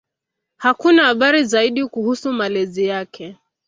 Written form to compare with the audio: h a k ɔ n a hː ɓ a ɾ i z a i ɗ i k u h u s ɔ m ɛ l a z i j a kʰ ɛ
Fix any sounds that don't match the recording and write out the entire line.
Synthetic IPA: h a k u n a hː ɓ a ɾ i z a i ɗ i k u h u s u m a l ɛ z i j a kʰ ɛ